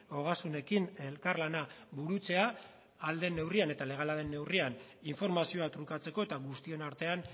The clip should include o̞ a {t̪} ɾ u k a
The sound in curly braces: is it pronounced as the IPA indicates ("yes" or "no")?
yes